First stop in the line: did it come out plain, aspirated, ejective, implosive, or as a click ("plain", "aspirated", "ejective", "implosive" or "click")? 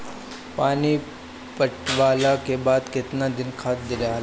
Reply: plain